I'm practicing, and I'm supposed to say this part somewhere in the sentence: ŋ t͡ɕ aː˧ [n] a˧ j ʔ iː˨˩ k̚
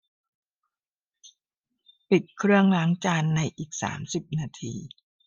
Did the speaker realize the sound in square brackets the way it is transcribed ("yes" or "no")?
no